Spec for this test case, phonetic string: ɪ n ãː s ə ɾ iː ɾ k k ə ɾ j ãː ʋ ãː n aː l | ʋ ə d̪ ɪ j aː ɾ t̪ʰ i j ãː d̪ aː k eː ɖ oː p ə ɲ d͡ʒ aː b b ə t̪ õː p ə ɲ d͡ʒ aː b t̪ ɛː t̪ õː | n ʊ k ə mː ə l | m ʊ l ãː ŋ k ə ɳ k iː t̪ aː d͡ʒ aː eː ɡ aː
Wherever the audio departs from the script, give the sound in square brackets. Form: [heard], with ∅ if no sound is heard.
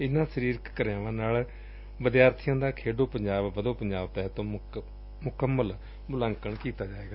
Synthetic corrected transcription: ɪ n ãː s ə ɾ iː ɾ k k ə ɾ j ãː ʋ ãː n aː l | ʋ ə d̪ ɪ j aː ɾ t̪ʰ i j ãː d̪ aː [kʰ] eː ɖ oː p ə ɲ d͡ʒ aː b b ə [d̪] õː p ə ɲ d͡ʒ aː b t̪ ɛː t̪ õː | [m] ʊ k ə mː ə l | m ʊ l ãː ŋ k ə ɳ k iː t̪ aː d͡ʒ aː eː ɡ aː